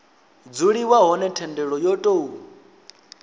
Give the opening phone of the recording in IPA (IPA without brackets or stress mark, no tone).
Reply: d͡z